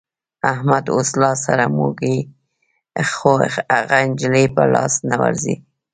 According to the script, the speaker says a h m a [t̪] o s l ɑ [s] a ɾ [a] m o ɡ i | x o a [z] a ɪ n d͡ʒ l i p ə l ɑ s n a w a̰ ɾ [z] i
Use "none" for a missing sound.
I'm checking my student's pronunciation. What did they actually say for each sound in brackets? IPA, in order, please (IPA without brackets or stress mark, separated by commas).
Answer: d̪, s, a, ɣ, z